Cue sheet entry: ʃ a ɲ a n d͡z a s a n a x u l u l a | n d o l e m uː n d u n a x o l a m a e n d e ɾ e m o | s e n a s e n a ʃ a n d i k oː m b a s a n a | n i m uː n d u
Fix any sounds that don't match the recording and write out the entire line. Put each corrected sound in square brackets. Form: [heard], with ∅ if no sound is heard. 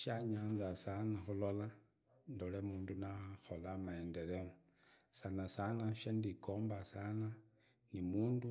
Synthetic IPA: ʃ a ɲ a n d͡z a s a n a x u l [o] l a | n d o l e m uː n d u n a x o l a m a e n d e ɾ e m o | s [a] n a s [a] n a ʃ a n d i k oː m b a s a n a | n i m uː n d u